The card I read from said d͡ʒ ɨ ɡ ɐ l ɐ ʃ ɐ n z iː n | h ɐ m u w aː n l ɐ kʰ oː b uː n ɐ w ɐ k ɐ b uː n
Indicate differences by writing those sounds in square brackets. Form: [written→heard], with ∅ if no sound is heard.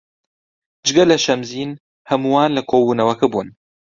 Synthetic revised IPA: d͡ʒ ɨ ɡ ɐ l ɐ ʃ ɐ [n→m] z iː n | h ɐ m u w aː n l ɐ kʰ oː b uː n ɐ w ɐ k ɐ b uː n